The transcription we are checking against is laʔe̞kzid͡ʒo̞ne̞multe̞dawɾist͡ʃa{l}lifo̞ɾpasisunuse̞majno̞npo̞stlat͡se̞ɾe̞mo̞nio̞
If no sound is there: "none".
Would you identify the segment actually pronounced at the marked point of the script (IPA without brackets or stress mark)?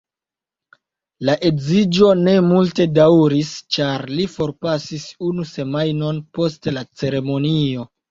ɾ